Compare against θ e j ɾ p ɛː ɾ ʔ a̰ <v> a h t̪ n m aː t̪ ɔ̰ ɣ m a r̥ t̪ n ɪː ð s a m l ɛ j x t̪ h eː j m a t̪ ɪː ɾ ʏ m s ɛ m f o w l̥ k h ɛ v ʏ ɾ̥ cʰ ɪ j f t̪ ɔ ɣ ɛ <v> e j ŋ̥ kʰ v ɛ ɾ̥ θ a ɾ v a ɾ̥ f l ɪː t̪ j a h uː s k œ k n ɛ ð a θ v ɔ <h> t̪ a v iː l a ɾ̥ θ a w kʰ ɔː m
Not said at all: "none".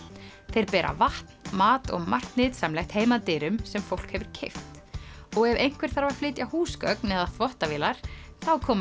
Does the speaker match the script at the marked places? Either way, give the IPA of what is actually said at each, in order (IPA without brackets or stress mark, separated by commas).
v, v, h